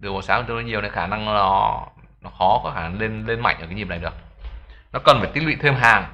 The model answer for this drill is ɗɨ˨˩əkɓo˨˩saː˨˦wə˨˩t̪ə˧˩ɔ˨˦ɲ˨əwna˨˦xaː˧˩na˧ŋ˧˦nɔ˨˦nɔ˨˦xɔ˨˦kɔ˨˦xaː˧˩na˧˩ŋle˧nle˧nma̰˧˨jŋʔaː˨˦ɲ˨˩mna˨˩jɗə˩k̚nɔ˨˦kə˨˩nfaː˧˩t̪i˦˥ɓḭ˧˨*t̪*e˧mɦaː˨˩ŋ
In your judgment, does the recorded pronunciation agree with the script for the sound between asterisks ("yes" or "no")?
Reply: no